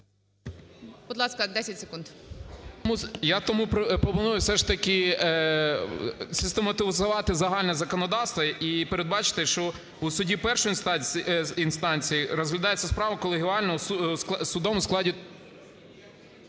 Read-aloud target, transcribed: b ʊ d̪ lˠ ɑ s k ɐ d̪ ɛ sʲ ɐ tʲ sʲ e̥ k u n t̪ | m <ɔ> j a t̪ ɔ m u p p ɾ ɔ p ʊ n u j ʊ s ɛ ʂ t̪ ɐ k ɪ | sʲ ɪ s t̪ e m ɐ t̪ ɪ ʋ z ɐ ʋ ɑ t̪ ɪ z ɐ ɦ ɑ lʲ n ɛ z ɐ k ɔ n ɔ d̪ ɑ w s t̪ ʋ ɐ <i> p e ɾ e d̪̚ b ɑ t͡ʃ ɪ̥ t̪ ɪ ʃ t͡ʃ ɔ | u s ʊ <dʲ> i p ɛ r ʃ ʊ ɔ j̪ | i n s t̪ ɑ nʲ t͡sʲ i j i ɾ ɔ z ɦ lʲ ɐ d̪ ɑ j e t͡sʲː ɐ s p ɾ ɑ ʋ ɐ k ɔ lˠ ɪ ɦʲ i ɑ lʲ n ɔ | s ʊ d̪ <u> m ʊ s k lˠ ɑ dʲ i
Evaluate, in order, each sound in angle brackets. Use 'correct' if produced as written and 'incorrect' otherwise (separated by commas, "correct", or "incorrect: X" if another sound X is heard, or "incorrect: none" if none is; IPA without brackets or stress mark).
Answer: incorrect: u, correct, correct, incorrect: ɔ